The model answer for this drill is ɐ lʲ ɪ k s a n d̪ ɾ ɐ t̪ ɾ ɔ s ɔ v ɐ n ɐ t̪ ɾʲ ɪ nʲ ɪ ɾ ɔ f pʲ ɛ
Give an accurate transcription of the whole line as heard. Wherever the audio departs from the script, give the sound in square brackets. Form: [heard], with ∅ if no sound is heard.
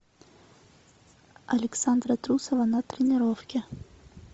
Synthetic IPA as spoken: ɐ lʲ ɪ k s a n d̪ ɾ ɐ t̪ ɾ [u] s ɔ v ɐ n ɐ t̪ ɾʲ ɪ nʲ ɪ ɾ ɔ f [kʲ] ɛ